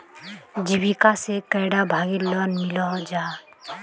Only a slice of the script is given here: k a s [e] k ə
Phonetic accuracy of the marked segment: correct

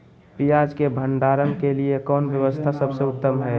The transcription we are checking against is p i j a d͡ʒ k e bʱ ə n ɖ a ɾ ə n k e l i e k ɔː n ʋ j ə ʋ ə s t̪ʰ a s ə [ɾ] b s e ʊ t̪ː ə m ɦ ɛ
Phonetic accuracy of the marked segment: incorrect: none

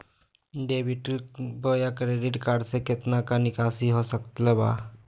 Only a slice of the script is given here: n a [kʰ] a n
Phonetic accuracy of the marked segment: incorrect: k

